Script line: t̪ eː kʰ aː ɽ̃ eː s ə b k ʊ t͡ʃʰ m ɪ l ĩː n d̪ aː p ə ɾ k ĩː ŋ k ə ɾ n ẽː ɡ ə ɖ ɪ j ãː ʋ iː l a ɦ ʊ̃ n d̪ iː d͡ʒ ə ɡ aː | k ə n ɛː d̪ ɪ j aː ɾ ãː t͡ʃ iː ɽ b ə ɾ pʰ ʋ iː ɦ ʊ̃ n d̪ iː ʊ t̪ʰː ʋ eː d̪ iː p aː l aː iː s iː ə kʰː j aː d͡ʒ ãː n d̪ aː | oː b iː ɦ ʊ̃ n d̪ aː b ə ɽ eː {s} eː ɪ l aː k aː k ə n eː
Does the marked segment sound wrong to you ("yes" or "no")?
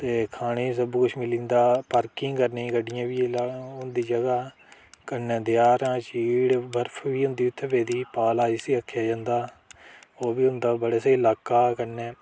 no